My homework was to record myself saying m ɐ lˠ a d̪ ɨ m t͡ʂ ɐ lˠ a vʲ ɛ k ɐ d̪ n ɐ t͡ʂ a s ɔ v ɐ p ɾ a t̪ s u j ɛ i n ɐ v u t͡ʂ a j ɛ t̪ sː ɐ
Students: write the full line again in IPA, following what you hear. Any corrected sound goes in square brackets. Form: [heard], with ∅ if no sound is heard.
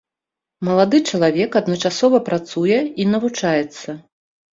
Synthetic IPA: m ɐ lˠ a d̪ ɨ [∅] t͡ʂ ɐ lˠ a vʲ ɛ k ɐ d̪ n ɐ t͡ʂ a s ɔ v ɐ p ɾ a t̪ s u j ɛ i n ɐ v u t͡ʂ a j ɛ t̪ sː ɐ